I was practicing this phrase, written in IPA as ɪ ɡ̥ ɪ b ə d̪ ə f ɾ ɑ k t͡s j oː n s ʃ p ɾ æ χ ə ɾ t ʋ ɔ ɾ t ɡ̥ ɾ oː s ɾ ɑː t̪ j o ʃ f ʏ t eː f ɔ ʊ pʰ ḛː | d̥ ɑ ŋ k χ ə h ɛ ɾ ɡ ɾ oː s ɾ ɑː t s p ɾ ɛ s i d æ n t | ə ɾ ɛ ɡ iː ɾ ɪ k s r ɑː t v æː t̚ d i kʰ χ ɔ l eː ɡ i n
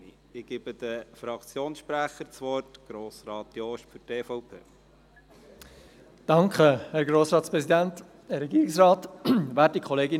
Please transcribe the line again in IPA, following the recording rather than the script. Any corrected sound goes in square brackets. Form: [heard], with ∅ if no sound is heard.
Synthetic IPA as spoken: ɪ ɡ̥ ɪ b ə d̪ ə f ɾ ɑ k t͡s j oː n s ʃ p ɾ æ χ ə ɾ [t͡s] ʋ ɔ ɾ t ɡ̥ ɾ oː s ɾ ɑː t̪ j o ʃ f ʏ t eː f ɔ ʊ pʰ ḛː | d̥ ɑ ŋ k χ ə h ɛ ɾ ɡ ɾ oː s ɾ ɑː t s p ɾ ɛ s i d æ n t | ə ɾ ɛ ɡ iː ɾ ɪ k s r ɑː t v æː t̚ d i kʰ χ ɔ l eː ɡ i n